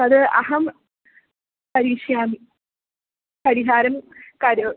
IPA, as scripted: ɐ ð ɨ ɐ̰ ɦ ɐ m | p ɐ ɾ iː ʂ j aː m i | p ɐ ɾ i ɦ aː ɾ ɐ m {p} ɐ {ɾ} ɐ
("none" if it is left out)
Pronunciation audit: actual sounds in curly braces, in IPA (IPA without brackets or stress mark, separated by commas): k, ɾ